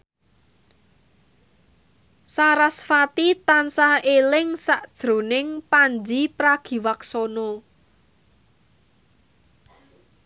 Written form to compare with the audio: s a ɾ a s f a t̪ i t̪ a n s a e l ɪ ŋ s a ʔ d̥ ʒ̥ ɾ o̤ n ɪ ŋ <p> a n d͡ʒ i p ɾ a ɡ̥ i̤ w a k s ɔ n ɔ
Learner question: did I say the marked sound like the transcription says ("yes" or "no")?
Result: yes